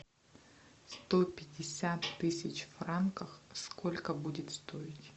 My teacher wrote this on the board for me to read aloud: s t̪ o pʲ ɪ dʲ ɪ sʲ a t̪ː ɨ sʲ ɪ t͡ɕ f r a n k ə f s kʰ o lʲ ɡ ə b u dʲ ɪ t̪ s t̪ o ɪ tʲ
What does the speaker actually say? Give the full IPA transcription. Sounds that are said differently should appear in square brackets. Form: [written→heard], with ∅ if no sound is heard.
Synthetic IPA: s t̪ o pʲ ɪ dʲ ɪ sʲ a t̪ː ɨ sʲ ɪ t͡ɕ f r a n k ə [f→x] s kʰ o lʲ [ɡ→k] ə b u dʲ ɪ t̪ s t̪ o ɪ tʲ